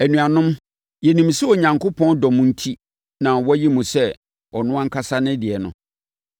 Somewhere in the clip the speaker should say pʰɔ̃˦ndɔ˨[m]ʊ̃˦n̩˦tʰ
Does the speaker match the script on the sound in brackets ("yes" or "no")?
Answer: yes